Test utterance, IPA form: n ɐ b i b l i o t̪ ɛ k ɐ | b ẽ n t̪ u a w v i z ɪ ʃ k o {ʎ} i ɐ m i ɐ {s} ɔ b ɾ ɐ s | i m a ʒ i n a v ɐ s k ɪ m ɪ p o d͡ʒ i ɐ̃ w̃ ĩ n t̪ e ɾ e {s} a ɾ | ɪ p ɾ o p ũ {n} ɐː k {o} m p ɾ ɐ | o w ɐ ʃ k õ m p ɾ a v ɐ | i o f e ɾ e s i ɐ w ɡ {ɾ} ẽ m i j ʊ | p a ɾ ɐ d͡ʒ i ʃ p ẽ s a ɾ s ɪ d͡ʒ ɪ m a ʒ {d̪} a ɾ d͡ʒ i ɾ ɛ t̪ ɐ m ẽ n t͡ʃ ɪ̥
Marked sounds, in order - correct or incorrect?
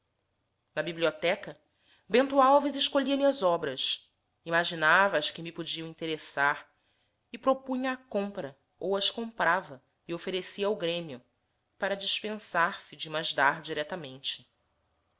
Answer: correct, incorrect: z, correct, incorrect: ɲ, incorrect: õ, correct, correct

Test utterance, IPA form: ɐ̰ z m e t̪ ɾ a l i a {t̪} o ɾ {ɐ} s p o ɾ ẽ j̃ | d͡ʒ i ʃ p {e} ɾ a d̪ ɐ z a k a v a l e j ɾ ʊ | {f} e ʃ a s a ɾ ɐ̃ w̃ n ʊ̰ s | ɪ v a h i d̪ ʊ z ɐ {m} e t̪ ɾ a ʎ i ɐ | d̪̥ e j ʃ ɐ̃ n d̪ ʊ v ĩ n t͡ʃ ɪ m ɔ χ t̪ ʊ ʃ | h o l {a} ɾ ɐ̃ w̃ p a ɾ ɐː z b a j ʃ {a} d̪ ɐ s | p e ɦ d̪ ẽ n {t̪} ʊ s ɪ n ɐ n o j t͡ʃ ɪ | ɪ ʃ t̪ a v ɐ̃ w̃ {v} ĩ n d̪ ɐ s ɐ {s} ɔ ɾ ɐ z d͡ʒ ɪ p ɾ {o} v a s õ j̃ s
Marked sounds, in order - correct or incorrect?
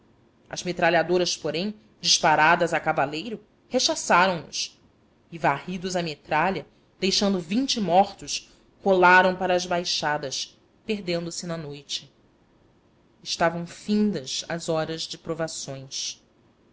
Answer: incorrect: d̪, correct, incorrect: a, incorrect: h, correct, correct, correct, incorrect: d̪, incorrect: f, incorrect: z, correct

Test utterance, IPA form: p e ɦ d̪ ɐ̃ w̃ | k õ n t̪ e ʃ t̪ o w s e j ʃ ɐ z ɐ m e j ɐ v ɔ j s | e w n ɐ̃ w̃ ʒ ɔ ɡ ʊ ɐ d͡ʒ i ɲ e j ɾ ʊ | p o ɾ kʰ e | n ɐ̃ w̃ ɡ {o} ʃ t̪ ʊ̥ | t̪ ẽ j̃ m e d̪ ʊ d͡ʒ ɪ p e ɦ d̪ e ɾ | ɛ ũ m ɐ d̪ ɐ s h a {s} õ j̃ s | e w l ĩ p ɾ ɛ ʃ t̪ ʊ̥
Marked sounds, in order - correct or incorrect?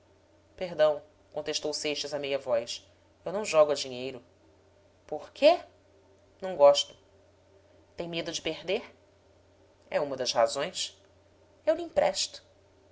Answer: incorrect: ɔ, incorrect: z

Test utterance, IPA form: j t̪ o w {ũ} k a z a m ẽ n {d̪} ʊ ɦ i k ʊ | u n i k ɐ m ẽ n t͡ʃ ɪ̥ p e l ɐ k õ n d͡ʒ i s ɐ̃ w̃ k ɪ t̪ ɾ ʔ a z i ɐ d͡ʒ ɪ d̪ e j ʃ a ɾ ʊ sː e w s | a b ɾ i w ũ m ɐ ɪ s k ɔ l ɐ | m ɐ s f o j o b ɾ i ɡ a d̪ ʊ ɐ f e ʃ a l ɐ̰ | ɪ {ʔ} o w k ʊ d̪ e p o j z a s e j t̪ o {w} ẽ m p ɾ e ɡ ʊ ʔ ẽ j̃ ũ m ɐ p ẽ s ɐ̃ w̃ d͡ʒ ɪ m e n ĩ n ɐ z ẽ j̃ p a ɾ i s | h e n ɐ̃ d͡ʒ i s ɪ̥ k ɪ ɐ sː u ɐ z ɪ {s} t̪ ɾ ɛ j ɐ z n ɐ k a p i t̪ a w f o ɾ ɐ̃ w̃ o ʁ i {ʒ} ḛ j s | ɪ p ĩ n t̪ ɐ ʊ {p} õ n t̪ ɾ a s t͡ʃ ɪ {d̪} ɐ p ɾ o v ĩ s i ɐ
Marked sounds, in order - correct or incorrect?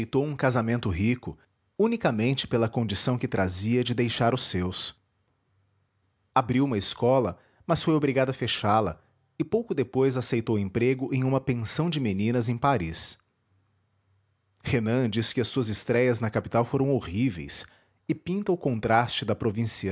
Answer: correct, incorrect: t̪, incorrect: p, correct, correct, incorrect: v, incorrect: k, correct

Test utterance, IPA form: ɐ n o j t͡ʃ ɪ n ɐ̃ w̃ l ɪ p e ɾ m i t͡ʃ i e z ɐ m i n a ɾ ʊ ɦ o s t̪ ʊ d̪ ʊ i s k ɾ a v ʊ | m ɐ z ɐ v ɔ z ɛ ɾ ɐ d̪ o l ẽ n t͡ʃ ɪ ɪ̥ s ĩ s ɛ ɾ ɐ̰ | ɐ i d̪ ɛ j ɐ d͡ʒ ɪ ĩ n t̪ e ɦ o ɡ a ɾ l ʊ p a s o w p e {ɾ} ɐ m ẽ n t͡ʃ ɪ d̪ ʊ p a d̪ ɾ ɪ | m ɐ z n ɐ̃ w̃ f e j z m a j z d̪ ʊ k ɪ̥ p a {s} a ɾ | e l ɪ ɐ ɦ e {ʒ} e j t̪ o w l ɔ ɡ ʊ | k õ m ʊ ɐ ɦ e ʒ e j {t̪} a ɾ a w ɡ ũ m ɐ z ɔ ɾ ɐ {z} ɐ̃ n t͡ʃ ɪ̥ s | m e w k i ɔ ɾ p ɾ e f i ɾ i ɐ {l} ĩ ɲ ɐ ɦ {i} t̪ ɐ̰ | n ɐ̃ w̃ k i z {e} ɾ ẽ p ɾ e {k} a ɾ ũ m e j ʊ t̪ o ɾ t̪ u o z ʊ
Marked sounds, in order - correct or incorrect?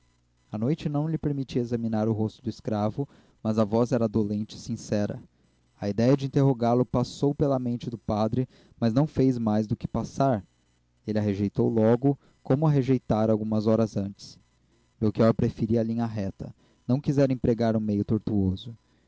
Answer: incorrect: l, correct, correct, correct, correct, correct, incorrect: ɛ, incorrect: ɛ, incorrect: ɡ

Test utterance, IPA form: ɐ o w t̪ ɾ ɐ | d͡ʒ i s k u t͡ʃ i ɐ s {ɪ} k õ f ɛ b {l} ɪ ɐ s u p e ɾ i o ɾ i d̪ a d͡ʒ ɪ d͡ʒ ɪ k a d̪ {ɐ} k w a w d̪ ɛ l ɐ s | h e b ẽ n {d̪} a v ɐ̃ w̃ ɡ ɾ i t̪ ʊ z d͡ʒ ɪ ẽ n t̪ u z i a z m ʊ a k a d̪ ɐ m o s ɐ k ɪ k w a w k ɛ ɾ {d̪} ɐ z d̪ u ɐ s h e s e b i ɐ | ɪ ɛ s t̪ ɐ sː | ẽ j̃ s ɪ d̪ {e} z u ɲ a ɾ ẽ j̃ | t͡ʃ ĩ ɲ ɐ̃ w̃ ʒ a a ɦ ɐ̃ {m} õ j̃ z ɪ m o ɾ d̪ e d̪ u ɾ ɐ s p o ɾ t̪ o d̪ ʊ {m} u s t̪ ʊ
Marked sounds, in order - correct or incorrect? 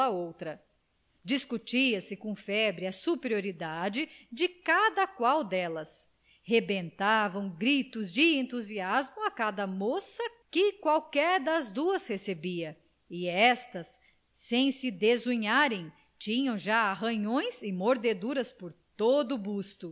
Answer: correct, incorrect: ɾ, correct, incorrect: t̪, correct, correct, incorrect: ɲ, incorrect: b

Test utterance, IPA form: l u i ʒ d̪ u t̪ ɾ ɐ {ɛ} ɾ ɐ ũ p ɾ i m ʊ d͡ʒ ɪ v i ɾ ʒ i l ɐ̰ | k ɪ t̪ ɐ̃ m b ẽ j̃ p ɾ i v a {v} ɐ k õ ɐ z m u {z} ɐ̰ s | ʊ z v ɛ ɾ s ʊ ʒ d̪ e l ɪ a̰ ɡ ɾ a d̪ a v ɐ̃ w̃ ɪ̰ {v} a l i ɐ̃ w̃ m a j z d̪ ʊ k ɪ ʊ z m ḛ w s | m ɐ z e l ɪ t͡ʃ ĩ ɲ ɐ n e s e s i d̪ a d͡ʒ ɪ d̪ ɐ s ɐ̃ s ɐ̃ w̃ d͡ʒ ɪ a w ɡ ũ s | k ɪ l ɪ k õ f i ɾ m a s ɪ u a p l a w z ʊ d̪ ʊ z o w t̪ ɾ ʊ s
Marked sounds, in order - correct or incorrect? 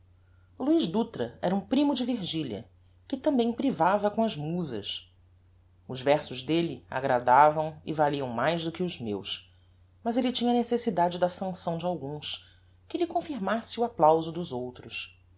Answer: correct, correct, correct, correct

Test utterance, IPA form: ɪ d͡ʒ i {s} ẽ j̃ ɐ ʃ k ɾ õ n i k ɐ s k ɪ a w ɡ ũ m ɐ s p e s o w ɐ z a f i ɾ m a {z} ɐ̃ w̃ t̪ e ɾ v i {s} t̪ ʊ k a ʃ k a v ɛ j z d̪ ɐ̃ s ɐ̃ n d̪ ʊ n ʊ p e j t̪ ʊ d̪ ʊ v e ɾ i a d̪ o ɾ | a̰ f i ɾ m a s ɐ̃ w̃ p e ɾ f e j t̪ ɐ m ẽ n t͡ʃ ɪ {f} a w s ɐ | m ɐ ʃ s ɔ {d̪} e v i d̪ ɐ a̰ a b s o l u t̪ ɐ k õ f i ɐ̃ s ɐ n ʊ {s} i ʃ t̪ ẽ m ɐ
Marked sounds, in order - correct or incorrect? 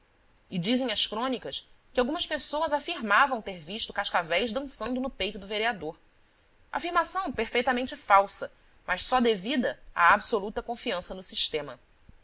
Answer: incorrect: z, incorrect: v, incorrect: ʃ, correct, correct, correct

